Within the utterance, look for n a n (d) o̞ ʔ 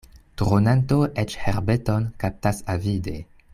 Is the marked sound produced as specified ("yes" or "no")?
no